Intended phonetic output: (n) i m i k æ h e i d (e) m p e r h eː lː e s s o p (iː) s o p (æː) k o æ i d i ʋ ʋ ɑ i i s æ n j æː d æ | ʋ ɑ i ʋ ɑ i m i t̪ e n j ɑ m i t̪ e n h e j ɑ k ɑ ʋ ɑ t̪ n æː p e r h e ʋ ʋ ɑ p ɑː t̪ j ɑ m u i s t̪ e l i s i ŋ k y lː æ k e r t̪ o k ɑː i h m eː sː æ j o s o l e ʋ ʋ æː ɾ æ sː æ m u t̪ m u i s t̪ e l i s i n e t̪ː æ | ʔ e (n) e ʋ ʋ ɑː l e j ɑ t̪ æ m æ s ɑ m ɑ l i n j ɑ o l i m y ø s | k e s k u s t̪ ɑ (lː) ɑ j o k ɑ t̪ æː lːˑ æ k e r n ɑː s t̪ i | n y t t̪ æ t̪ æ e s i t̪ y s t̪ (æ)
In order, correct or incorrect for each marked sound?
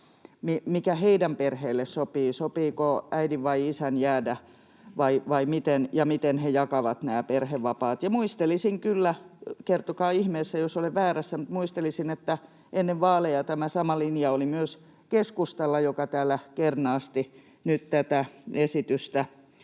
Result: incorrect: m, incorrect: æ, correct, incorrect: iː, incorrect: nː, correct, correct

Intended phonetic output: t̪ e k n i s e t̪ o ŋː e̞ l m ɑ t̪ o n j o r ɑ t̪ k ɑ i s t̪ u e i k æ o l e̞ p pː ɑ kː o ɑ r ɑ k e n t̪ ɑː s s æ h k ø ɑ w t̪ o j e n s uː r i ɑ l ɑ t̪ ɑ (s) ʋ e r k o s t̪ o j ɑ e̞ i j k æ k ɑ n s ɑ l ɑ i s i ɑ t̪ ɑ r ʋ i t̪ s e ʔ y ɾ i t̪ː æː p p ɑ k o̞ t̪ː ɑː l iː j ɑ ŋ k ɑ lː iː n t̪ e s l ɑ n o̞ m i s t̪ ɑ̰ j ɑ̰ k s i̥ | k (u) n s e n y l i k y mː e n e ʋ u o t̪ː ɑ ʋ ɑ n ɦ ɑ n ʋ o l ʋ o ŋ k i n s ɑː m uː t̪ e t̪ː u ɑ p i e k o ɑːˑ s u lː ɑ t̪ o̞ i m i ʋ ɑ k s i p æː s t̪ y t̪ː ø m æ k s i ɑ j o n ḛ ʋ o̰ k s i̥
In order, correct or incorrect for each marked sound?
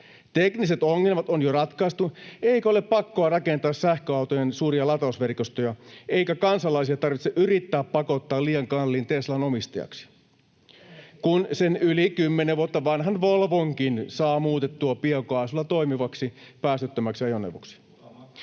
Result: correct, correct

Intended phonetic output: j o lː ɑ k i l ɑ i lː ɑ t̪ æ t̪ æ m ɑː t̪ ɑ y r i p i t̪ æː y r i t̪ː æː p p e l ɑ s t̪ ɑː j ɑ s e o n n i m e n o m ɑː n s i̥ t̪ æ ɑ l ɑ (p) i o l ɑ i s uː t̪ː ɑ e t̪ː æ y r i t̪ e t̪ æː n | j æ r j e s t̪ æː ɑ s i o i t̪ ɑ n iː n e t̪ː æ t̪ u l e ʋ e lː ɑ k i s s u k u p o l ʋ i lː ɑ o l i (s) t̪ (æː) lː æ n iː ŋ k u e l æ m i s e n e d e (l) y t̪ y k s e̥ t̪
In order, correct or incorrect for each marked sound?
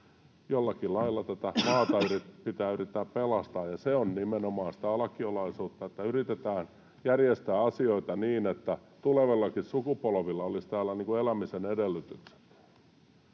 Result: incorrect: k, correct, correct, incorrect: lː

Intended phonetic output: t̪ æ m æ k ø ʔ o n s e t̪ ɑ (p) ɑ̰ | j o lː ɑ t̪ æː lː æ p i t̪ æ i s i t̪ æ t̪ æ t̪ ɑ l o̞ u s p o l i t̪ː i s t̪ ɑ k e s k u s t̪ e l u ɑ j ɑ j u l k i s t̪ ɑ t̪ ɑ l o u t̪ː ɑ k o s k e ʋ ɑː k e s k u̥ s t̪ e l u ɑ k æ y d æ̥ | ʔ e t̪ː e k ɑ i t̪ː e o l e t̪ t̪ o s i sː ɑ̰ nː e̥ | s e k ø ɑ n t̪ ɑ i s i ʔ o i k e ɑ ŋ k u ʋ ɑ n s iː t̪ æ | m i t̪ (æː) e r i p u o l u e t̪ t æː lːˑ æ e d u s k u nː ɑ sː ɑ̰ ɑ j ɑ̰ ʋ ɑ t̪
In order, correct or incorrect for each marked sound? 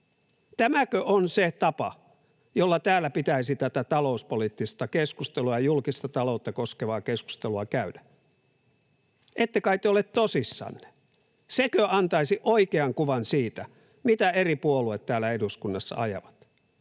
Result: correct, incorrect: æ

